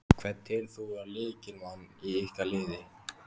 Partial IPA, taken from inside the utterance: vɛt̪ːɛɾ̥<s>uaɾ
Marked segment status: incorrect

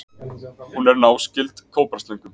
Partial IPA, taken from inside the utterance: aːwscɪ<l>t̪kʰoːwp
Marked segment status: correct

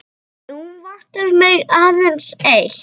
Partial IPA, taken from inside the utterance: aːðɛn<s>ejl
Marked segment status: correct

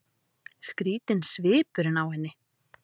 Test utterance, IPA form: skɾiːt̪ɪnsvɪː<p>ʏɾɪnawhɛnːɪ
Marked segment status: correct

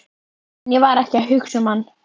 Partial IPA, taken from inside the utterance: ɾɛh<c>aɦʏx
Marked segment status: correct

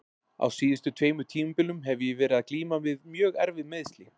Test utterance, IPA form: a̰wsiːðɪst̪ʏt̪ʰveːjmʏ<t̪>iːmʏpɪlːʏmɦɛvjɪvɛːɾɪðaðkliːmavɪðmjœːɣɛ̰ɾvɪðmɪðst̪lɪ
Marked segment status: incorrect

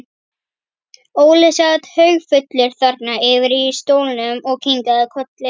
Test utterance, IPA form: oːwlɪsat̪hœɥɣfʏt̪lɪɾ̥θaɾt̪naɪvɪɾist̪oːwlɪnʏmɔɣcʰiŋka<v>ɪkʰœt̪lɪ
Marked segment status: incorrect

